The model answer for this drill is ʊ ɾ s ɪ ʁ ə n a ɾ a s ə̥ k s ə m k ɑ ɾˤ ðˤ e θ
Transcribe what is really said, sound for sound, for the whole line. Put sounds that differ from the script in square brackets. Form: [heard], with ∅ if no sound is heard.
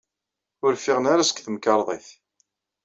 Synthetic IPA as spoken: ʊ ɾ [f] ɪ ʁ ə n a ɾ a s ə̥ k [θ] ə m k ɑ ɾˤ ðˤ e θ